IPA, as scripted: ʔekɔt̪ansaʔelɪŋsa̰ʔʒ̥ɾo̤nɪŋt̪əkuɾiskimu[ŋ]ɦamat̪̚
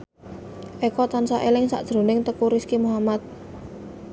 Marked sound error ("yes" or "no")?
yes